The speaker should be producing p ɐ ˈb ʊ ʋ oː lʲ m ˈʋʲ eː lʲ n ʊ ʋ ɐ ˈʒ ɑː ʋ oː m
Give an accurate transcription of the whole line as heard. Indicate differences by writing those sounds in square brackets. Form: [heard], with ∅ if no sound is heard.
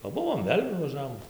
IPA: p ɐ ˈb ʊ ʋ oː [∅] m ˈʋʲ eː lʲ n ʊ ʋ ɐ ˈʒ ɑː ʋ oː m